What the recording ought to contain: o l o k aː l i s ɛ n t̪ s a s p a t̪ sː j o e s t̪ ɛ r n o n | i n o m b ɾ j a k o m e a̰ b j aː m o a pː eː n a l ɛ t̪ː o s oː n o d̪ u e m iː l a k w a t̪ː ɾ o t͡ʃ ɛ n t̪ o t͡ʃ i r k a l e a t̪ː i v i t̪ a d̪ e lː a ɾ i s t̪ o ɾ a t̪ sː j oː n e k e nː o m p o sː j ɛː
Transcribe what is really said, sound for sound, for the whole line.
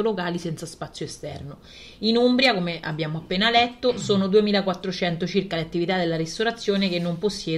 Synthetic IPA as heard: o l o k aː l i s ɛ n t̪ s a s p a t̪ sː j o e s t̪ ɛ r n o | i n u m b ɾ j a k o m e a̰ b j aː m o a pː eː n a l ɛ t̪ː o s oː n o d̪ u e m iː l a k w a t̪ː ɾ o t͡ʃ ɛ n t̪ o t͡ʃ i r k a l e a t̪ː i v i t̪ a d̪ e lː a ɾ i s t̪ o ɾ a t̪ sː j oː n e k e nː o m p o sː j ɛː